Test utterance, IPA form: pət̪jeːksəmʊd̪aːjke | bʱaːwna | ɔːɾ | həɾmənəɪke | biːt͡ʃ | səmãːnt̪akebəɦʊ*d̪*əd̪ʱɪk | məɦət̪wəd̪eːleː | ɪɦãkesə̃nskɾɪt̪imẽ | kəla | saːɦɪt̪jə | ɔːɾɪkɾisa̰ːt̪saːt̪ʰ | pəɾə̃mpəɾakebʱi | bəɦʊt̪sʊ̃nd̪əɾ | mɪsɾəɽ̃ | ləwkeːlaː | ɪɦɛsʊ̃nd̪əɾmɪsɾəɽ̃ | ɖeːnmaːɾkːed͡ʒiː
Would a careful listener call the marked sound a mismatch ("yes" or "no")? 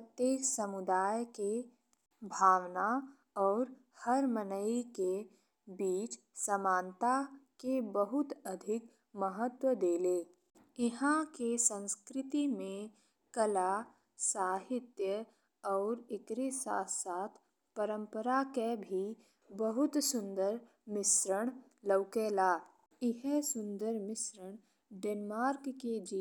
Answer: yes